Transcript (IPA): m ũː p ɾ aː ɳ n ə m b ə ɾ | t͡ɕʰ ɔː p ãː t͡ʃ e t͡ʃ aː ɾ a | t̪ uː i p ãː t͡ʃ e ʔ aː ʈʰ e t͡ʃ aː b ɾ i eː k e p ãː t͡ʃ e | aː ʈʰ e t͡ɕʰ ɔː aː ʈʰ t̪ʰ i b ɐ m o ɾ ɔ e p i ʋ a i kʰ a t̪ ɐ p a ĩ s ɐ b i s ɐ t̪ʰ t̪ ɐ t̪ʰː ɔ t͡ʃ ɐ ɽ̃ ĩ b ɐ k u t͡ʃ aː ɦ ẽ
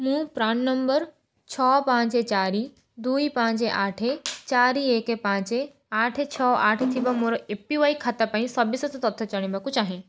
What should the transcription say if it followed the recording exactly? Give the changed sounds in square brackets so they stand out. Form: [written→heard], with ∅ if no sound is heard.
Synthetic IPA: m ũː p ɾ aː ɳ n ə m b ə ɾ | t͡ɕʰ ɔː p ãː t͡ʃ e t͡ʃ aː ɾ [a→i] | [t̪→d̪] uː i p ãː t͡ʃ e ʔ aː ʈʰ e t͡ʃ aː [b→∅] ɾ i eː k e p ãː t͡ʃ e | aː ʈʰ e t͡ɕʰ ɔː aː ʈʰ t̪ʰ i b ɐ m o ɾ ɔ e p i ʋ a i kʰ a t̪ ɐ p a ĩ s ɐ b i s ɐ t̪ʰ t̪ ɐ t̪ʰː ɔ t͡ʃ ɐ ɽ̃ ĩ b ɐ k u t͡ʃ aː ɦ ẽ